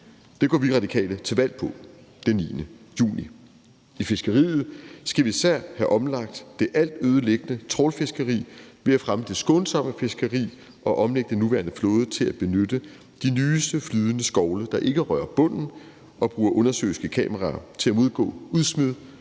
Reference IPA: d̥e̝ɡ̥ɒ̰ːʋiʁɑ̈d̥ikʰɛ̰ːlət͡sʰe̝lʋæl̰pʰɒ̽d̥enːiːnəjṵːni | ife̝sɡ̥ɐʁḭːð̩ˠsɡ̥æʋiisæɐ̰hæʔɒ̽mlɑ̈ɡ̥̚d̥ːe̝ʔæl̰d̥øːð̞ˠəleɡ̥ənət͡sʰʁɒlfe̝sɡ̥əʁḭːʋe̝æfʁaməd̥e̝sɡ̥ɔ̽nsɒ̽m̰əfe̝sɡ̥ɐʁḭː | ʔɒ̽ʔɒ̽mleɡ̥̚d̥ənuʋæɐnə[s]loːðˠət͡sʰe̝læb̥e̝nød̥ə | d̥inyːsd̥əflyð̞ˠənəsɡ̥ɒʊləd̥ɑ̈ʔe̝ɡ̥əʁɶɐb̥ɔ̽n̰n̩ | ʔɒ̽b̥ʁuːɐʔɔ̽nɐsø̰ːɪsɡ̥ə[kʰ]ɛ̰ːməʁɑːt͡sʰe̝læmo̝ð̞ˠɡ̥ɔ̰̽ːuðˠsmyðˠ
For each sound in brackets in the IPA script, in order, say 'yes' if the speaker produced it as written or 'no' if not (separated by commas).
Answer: no, yes